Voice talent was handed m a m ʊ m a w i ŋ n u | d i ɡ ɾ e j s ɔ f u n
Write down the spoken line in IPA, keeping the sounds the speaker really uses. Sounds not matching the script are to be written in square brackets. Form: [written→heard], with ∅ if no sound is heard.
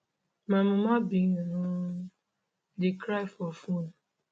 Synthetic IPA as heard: m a m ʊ m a [w→b] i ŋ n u | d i [ɡ→k] ɾ [e→a] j [s→f] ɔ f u n